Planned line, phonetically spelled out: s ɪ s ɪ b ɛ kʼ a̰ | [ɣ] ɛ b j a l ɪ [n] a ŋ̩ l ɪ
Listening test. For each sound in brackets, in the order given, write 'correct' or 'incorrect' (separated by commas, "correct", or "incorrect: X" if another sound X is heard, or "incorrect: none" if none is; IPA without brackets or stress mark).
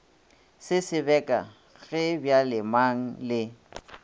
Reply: correct, incorrect: m